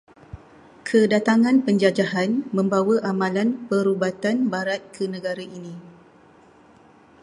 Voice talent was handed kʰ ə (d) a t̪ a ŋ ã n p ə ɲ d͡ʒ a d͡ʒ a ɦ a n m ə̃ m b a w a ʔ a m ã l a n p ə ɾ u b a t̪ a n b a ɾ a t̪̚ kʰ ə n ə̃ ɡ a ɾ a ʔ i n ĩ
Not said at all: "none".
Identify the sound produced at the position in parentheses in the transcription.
d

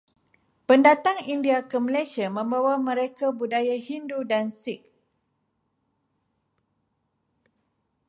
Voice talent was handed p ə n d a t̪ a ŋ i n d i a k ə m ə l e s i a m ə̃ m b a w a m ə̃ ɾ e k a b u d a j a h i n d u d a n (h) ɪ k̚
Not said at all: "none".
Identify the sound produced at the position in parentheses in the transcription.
s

